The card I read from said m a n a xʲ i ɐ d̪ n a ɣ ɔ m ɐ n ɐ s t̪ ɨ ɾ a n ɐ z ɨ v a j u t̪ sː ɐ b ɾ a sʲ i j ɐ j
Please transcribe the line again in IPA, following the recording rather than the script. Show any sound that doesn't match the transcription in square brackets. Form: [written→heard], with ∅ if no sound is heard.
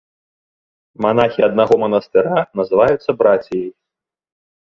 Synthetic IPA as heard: m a n a xʲ i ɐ d̪ n a ɣ ɔ m ɐ n ɐ s t̪ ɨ ɾ a n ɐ z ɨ v a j u t̪ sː ɐ b ɾ a [sʲ→t͡sʲ] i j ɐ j